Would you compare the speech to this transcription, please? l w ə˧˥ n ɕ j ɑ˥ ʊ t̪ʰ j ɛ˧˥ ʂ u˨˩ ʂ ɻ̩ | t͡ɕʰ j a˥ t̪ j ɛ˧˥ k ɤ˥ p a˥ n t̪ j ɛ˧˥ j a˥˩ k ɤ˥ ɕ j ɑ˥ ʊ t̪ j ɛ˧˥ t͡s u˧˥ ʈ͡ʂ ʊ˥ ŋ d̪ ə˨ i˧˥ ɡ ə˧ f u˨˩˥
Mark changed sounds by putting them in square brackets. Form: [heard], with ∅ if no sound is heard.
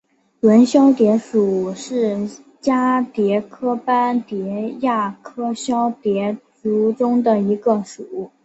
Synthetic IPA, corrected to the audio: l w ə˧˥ n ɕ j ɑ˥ ʊ [t̪] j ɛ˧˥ ʂ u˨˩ ʂ ɻ̩ | [t͡ɕ] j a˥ t̪ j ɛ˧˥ [kʰ] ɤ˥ p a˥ n t̪ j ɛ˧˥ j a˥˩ [kʰ] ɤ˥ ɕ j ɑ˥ ʊ t̪ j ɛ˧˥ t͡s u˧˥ ʈ͡ʂ ʊ˥ ŋ d̪ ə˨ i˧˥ ɡ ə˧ [ʂ] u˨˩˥